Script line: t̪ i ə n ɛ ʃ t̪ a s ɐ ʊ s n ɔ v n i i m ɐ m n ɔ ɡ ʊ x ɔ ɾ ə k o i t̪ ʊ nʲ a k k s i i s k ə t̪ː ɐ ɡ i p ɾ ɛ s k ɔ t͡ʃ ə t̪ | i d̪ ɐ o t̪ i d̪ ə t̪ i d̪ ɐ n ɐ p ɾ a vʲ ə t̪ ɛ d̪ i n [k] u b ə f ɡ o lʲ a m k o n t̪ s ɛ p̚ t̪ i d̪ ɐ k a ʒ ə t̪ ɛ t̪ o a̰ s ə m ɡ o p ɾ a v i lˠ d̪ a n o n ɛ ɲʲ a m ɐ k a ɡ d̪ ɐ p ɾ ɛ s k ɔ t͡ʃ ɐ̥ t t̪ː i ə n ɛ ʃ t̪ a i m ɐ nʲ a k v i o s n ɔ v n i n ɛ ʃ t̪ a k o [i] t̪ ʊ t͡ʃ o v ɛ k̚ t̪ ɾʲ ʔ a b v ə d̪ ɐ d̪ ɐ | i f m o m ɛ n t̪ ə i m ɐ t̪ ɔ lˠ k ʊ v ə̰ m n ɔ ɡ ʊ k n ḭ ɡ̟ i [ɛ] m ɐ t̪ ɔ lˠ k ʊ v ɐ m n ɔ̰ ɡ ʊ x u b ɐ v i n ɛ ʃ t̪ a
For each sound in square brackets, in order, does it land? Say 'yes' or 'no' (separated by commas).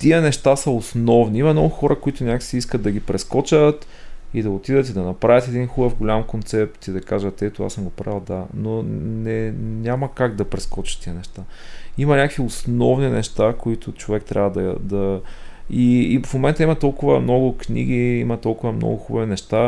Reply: no, yes, no